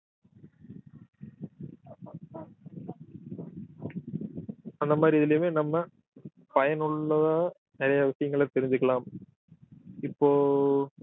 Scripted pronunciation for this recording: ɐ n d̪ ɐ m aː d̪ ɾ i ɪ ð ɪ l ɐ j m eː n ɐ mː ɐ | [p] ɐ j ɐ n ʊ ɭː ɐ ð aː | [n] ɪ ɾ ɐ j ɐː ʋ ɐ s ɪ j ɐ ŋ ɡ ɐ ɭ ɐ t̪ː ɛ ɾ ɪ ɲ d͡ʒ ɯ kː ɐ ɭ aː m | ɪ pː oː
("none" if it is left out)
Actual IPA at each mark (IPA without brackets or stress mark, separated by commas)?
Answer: p, n